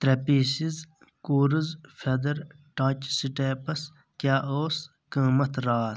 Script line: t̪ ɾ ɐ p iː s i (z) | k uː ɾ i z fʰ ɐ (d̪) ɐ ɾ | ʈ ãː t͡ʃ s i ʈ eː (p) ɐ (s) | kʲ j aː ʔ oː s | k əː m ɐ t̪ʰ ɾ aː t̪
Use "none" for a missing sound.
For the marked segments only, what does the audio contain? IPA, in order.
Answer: z, d̪, p, s

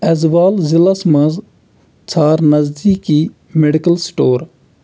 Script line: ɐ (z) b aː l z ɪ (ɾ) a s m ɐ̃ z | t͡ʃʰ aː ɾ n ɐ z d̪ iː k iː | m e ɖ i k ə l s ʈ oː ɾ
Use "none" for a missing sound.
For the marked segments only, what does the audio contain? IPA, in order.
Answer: z, l

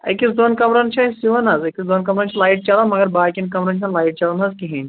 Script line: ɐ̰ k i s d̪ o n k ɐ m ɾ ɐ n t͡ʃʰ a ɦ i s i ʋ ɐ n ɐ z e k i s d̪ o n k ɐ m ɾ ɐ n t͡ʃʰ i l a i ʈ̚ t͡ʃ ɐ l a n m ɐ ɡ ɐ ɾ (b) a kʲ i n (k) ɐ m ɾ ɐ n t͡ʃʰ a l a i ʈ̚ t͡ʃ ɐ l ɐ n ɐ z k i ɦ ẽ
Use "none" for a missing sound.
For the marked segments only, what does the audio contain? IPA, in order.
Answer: b, k

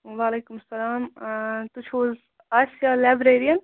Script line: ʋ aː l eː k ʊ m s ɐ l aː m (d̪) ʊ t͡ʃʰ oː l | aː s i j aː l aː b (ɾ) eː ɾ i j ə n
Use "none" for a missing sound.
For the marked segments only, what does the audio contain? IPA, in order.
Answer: t̪, ɾ

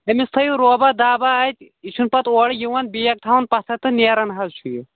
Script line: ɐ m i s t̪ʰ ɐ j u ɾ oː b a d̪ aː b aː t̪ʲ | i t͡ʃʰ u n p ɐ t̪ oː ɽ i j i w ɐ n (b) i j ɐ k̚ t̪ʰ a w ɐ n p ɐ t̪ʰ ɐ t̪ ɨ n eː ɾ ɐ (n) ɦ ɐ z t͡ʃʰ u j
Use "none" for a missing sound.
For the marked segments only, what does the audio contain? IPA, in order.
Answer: b, n

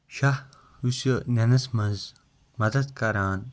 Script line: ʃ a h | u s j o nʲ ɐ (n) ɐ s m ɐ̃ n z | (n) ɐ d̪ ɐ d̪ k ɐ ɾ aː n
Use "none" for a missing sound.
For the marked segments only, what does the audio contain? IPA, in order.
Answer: n, m

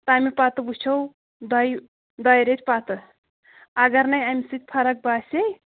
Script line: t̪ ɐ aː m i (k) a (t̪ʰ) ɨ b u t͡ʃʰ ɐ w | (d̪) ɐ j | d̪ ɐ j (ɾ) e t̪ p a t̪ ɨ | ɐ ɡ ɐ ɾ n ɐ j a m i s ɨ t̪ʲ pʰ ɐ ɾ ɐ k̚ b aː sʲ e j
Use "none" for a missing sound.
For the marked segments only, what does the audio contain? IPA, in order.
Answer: p, t̪, d̪, ɾ

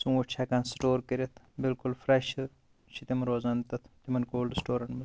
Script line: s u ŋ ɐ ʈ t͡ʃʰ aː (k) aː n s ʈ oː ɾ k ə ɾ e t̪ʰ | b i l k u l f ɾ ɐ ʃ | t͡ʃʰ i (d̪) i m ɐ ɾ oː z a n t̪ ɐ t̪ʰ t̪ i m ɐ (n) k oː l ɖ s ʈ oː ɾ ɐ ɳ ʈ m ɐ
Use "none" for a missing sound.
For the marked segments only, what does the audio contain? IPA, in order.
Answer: k, t̪, n

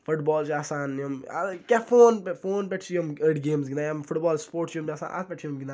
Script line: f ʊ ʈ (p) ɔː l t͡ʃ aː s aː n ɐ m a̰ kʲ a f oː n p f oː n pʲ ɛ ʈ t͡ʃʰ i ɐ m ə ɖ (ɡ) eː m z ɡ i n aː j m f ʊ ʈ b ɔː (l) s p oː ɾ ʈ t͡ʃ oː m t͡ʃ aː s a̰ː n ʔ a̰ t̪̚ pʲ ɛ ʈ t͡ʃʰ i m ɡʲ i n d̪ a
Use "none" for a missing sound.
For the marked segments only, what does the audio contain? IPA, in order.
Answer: b, ɡ, l

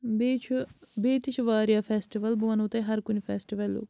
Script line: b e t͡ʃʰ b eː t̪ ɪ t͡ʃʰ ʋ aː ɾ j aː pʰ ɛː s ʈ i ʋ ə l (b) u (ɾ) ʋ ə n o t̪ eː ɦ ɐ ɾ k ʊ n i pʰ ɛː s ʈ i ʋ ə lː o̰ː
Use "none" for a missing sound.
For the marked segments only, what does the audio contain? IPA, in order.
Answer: b, none

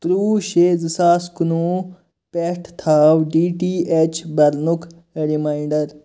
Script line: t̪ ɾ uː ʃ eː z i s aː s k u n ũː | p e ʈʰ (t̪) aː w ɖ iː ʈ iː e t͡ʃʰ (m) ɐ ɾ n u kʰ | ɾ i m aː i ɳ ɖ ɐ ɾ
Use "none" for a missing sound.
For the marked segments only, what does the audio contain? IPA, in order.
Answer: t̪ʰ, b

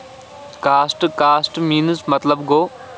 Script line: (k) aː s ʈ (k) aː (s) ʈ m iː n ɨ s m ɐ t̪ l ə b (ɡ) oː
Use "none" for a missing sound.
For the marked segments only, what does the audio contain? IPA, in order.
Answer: k, k, s, ɡ

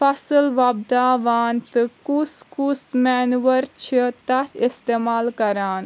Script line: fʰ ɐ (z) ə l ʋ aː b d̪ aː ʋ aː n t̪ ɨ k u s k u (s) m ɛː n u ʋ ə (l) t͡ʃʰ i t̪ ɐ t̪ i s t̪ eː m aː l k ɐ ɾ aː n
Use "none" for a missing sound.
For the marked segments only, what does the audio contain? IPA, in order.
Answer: s, s, ɾ

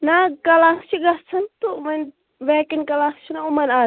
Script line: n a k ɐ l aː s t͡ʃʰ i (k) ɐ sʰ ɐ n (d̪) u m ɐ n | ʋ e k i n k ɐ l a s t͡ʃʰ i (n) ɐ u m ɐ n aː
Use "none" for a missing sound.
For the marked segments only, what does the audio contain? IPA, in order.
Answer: ɡ, t̪, n

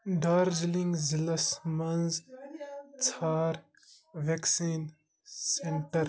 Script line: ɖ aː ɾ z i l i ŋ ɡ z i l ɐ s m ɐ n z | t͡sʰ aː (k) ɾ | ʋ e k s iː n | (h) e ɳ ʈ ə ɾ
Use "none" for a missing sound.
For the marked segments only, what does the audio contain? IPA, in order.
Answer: none, s

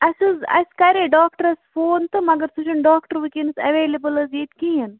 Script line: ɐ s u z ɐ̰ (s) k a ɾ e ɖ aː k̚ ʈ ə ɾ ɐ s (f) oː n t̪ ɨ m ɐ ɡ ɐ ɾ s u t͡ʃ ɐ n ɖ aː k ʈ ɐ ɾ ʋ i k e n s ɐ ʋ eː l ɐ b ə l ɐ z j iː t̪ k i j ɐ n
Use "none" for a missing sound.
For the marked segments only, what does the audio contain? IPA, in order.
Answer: s, f

